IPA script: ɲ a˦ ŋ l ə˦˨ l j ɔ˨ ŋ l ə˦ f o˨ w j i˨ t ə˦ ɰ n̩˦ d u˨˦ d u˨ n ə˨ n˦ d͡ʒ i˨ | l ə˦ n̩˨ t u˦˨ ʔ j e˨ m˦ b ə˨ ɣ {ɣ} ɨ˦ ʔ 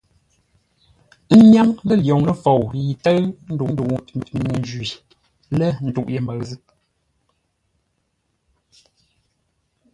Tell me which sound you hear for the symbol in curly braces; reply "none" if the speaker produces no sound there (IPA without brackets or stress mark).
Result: z